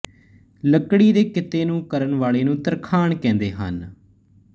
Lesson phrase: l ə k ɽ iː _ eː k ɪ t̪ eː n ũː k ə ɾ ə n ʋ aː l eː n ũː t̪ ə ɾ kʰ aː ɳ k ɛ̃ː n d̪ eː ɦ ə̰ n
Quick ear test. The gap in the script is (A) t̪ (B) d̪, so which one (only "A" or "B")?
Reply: B